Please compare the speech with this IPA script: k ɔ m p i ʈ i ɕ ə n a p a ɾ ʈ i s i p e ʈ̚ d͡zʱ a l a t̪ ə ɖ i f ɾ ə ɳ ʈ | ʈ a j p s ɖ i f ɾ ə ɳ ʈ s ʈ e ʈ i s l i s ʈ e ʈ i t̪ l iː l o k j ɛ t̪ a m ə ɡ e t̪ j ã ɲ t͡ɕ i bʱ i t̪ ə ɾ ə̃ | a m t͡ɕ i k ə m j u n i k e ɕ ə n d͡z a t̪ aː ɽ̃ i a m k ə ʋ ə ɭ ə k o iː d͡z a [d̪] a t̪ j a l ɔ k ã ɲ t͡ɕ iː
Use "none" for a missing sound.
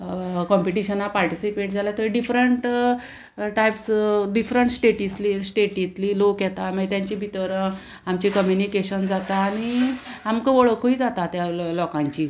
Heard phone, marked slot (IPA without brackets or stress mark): t̪